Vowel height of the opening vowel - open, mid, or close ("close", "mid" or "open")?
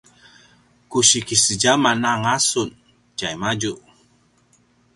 close